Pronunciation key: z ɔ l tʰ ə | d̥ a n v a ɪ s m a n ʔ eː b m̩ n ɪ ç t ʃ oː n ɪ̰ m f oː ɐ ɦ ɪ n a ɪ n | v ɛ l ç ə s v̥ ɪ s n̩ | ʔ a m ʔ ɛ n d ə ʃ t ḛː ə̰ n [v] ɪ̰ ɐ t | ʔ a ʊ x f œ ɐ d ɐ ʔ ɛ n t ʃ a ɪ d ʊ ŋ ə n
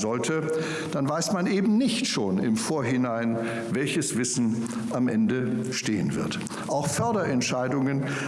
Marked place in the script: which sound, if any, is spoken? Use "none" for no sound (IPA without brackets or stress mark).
v